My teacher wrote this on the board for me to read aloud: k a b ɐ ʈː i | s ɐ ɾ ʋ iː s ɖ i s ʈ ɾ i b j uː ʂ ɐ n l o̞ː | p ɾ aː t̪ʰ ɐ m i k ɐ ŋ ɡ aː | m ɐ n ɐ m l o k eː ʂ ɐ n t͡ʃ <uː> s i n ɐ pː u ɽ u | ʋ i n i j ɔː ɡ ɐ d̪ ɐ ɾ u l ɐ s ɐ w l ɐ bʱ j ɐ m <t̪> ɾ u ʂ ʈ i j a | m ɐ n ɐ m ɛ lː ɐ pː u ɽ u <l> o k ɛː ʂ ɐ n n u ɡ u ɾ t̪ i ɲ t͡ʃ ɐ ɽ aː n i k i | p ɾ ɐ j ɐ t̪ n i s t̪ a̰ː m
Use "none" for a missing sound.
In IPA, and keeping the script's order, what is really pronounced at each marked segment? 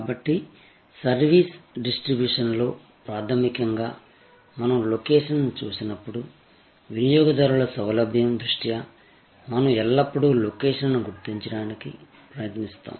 uː, d̪, l

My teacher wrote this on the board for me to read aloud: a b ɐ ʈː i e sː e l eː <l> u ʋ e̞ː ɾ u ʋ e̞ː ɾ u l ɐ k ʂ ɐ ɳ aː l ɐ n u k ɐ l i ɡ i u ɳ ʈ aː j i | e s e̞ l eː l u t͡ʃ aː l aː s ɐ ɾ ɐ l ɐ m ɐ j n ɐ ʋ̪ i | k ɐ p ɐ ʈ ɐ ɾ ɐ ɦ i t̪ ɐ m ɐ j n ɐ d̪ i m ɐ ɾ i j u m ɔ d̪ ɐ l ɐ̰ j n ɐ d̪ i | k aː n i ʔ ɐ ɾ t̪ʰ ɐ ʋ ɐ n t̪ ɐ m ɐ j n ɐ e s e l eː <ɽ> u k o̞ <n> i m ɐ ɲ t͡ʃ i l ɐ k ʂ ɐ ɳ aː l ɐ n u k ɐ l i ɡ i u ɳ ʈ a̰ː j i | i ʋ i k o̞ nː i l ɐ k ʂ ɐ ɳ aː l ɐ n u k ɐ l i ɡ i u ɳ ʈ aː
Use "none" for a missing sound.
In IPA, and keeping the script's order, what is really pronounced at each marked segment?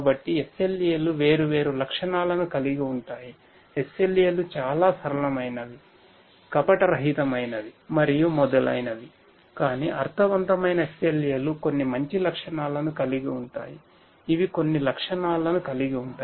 l, l, nː

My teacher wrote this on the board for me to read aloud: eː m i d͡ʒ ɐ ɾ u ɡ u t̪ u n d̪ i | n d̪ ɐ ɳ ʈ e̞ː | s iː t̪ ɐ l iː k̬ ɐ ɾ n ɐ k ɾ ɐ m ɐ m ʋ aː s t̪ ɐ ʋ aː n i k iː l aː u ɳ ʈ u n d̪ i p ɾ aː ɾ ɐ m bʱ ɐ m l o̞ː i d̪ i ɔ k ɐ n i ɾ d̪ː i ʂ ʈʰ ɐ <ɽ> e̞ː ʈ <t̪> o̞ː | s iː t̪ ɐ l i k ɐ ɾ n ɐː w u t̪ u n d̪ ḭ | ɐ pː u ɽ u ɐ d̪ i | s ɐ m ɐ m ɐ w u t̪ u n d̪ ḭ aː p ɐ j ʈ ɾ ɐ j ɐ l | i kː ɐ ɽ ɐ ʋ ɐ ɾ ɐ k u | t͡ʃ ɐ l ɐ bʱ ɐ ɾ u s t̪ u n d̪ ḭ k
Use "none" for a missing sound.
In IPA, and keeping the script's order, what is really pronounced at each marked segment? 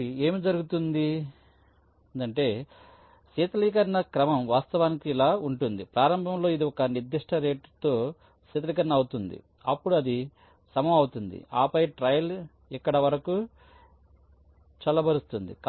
ɾ, t̪

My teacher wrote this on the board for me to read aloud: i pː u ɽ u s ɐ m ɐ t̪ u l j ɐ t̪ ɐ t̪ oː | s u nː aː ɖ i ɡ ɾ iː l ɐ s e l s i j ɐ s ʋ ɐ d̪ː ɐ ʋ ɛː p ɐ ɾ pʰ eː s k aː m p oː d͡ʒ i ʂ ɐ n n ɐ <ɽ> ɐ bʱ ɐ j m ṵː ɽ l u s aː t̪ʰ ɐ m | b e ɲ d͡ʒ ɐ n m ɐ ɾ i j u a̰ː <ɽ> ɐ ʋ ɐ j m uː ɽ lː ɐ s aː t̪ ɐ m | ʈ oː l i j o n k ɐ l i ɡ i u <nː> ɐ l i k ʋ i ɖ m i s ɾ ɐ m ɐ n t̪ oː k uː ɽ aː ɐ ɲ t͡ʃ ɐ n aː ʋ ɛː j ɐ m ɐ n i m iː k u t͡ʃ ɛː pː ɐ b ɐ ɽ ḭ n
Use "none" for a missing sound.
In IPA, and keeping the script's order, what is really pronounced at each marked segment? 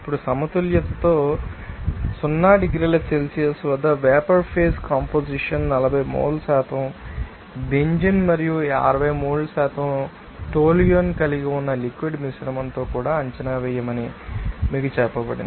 l, ɾ, nː

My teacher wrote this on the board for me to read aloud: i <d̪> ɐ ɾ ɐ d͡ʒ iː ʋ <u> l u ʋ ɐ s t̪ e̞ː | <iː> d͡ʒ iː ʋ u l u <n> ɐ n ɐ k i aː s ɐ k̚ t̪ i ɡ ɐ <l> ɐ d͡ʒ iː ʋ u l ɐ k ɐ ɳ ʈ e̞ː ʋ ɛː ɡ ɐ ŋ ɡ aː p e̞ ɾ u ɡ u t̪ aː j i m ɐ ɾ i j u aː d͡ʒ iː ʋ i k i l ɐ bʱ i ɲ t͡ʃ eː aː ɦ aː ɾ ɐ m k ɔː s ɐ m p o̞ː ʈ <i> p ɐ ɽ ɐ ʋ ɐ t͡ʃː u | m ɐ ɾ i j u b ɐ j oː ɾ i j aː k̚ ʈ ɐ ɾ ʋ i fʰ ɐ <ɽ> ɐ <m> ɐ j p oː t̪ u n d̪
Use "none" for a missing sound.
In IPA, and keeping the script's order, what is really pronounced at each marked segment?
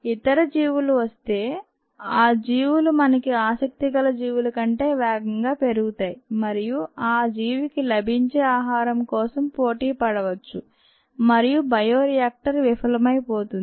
t̪, u, aː, m, l, iː, l, m

